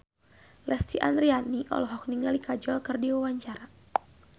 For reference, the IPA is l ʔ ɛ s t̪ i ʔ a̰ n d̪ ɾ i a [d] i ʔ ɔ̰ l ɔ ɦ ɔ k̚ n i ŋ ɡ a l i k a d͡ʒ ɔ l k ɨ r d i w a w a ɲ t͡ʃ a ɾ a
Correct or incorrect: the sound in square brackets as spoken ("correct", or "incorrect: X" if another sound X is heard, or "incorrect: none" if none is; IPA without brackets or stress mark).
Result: incorrect: n